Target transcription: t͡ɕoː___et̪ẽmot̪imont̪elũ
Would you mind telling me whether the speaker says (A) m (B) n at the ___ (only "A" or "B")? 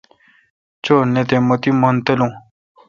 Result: B